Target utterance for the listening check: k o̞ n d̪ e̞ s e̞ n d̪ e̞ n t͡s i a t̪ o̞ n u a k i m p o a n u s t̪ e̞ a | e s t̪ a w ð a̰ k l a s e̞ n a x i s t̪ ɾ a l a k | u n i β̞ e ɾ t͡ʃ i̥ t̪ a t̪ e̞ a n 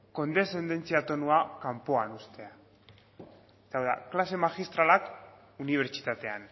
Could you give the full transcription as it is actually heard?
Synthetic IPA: k o̞ n d̪ e̞ s e̞ n d̪ e̞ n t͡s i a t̪ o̞ n u a k a m p o a n u s t̪ e̞ a | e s t̪ a w ð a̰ k l a s e̞ m a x i s t̪ ɾ a l a k | u n i β̞ e ɾ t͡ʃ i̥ t̪ a t̪ e̞ a n